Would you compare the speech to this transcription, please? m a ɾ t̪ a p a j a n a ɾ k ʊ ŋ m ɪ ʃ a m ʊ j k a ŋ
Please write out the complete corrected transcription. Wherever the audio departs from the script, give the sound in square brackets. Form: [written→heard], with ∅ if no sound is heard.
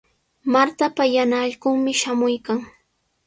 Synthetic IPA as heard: m a ɾ t̪ a p a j a n a [ɾ→ʎ] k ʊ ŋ m ɪ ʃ a m ʊ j k a ŋ

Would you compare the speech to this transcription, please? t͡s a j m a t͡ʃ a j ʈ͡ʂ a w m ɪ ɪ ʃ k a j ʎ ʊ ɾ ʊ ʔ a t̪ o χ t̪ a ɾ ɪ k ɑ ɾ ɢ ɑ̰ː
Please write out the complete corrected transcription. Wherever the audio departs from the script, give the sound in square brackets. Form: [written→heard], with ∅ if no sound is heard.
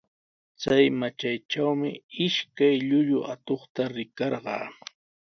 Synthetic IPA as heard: t͡s a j m a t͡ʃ a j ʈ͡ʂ a w m ɪ ɪ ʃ k a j ʎ ʊ [ɾ→ʎ] ʊ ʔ a t̪ o χ t̪ a ɾ ɪ k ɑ ɾ ɢ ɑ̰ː

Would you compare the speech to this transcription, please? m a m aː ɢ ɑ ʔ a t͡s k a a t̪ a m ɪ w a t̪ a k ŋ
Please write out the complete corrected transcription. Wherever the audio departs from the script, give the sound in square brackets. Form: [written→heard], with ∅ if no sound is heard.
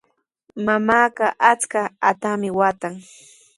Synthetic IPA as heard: m a m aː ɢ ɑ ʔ a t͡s k a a t̪ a m ɪ w a t̪ a [k→∅] ŋ

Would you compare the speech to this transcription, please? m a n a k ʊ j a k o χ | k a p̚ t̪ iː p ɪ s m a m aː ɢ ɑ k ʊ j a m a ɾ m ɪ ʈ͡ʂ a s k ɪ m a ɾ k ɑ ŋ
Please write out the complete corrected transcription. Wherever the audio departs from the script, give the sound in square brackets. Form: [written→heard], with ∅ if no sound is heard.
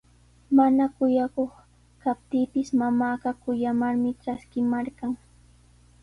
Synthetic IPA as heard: m a n a k ʊ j a k o χ | k a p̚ t̪ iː p ɪ s m a m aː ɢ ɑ k ʊ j a m a ɾ m ɪ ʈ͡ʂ a s k ɪ m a ɾ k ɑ ŋ

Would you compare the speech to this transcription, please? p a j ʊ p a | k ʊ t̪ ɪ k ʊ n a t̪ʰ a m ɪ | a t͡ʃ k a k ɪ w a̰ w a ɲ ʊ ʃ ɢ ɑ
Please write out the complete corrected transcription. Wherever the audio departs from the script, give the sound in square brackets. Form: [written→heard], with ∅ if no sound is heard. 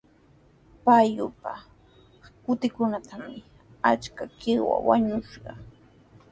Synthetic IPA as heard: p a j ʊ p a | k ʊ t̪ ɪ k ʊ n a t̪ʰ a m ɪ | a t͡ʃ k a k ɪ w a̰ w a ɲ ʊ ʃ ɢ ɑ

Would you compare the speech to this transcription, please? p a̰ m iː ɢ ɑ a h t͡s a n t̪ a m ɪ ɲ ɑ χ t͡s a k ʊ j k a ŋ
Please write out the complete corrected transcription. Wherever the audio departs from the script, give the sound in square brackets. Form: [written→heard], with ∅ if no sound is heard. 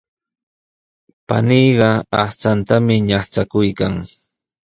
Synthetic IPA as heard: p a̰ [m→n] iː ɢ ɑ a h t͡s a n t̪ a m ɪ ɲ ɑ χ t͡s a k ʊ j k a ŋ

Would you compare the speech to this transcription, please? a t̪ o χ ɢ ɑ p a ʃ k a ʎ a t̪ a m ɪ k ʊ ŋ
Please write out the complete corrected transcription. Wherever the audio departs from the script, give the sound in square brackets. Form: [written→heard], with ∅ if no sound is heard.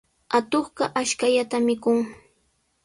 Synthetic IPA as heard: a t̪ o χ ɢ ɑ [p→ʔ] a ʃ k a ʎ a t̪ a m ɪ k ʊ ŋ

